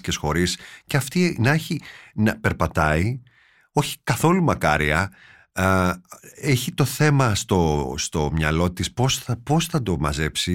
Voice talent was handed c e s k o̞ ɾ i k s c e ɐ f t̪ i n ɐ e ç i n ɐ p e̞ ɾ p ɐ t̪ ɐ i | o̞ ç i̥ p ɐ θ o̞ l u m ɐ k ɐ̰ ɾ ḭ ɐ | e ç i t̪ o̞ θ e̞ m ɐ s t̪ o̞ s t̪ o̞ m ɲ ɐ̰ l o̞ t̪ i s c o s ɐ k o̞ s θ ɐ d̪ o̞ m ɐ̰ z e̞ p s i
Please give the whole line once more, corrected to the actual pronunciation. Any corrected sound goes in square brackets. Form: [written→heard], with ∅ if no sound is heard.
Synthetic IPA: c e s [k→x] o̞ ɾ i [k→∅] s c e ɐ f t̪ i n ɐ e ç i n ɐ p e̞ ɾ p ɐ t̪ ɐ i | o̞ ç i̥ [p→k] ɐ θ o̞ l u m ɐ k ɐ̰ ɾ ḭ ɐ | e ç i t̪ o̞ θ e̞ m ɐ s t̪ o̞ s t̪ o̞ m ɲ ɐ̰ l o̞ t̪ i s [c→p] o s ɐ [k→p] o̞ s θ ɐ d̪ o̞ m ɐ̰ z e̞ p s i